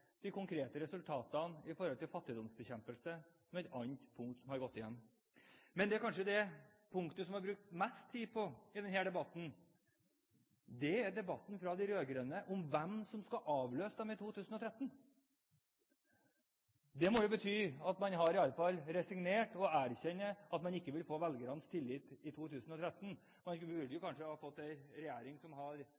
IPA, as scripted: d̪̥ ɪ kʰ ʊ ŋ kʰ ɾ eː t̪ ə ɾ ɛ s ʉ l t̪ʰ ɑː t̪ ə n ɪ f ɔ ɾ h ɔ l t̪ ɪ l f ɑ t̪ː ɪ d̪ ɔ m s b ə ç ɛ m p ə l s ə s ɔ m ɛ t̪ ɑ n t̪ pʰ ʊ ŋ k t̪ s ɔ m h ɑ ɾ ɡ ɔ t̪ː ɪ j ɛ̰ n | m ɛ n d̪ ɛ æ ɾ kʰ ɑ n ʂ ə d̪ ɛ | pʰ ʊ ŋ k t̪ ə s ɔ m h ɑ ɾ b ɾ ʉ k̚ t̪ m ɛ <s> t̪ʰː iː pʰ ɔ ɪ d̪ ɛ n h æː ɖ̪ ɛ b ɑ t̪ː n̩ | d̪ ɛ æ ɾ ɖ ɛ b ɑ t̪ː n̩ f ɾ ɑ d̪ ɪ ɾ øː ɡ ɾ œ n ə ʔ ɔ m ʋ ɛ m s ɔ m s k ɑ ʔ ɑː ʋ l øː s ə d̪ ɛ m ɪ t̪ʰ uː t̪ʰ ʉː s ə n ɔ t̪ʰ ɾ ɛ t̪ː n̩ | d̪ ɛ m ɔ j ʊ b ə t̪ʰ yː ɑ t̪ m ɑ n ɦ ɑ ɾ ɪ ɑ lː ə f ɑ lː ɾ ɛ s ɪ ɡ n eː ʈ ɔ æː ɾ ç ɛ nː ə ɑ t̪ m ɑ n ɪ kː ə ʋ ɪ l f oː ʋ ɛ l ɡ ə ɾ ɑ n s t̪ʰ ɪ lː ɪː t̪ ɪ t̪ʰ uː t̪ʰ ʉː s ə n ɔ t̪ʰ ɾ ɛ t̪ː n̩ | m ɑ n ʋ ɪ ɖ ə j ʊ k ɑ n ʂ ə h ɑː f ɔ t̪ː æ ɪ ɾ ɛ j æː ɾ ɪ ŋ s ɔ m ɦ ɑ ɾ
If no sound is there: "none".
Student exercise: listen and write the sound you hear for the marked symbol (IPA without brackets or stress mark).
s